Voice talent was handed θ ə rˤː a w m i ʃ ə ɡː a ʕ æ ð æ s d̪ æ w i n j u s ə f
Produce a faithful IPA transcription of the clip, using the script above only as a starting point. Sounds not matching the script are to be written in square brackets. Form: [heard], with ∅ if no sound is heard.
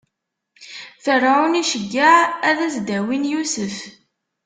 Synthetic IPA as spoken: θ ə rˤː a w [n] i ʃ ə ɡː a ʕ æ ð æ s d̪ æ w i n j u s ə f

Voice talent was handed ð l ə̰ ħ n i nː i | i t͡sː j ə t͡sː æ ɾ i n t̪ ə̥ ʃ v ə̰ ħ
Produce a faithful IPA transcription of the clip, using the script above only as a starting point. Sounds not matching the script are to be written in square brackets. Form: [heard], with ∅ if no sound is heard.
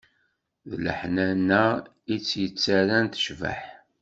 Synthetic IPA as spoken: ð l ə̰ ħ n [æ] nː [æ] | i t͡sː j ə t͡sː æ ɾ [æ] n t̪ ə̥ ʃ v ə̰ ħ

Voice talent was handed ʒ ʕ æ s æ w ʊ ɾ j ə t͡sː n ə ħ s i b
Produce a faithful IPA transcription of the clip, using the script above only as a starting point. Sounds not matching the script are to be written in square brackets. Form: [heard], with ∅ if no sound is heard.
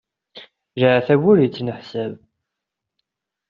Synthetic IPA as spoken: ʒ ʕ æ [θ] æ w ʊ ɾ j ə t͡sː n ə ħ s [æ] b

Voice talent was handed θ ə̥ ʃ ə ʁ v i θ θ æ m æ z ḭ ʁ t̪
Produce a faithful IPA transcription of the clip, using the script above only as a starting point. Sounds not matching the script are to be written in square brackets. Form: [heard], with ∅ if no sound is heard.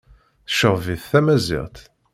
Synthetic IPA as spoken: θ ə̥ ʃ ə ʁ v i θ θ æ m æ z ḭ ʁ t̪

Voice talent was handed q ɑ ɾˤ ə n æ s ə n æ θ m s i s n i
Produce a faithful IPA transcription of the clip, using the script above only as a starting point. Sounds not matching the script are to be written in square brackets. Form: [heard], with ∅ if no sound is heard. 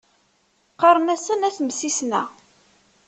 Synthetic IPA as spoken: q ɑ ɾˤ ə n æ s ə n æ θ m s i s n [æ]

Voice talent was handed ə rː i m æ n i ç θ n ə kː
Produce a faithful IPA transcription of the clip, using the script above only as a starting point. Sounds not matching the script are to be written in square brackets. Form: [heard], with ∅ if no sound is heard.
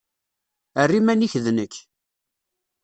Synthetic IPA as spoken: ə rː i m æ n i ç [ð] n ə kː

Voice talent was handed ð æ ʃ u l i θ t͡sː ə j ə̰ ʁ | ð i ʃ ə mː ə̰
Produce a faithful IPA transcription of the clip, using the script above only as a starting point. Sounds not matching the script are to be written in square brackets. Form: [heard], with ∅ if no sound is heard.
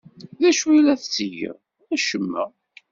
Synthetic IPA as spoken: ð æ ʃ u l [æ] θ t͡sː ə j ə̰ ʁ | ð [æ] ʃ ə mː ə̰

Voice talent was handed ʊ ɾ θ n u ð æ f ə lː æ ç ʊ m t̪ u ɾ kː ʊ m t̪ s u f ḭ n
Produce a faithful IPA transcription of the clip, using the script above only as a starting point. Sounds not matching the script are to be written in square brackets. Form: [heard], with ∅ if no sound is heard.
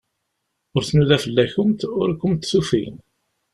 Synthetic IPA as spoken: ʊ ɾ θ n u ð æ f ə lː æ ç ʊ m t̪ [ʊ] ɾ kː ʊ m t̪ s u f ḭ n

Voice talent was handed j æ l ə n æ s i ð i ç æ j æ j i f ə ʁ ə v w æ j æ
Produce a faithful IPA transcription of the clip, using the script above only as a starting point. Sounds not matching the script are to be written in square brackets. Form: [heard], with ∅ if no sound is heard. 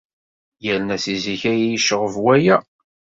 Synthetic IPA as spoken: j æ l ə n æ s i [z] i ç æ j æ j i [ʃ] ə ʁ ə v w æ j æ

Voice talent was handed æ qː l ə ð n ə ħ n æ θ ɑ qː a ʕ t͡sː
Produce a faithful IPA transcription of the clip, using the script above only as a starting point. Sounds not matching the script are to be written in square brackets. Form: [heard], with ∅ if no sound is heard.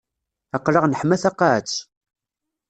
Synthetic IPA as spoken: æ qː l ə [ʁ] n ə ħ [m] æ θ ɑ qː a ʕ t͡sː

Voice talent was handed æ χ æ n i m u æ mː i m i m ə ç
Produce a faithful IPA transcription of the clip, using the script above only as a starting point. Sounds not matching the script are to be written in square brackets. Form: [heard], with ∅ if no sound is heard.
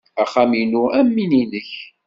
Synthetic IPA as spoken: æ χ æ [m] i [n] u æ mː i [n] i [n] ə ç

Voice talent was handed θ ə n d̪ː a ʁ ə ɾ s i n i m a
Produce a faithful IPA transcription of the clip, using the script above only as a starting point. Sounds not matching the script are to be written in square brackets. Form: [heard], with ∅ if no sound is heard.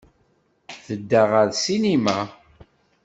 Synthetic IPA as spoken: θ ə [∅] d̪ː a ʁ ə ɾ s i n i m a

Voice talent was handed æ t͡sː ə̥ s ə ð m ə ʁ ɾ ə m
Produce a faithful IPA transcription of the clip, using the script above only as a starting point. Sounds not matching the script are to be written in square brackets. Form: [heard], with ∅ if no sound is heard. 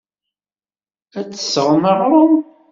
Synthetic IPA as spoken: æ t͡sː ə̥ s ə [ʁ] m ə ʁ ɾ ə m

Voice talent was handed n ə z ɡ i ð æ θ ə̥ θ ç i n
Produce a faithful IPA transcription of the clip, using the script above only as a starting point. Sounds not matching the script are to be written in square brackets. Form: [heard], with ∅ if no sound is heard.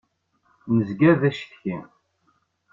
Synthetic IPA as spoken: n ə z ɡ [æ] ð æ [ʃ] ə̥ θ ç i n

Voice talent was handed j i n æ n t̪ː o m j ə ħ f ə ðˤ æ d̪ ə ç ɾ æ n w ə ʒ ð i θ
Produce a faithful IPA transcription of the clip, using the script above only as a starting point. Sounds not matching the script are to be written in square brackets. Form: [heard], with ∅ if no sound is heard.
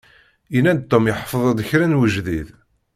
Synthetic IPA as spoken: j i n æ n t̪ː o m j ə ħ f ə ðˤ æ d̪ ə ç ɾ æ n w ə ʒ ð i [ð]

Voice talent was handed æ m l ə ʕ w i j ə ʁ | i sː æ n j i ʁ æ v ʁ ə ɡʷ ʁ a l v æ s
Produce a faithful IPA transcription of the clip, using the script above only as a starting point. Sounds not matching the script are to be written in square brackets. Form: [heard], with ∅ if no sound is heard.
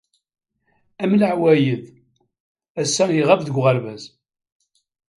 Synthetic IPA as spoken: æ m l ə ʕ w [æ] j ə [ð] | [æ] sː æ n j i ʁ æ v [ð] ə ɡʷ ʁ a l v æ [z]

